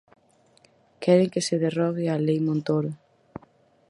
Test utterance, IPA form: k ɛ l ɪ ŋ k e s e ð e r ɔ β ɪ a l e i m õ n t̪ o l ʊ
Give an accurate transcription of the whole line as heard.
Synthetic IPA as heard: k ɛ ɾ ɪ ŋ k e s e ð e r ɔ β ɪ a l e j m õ n t̪ o ɾ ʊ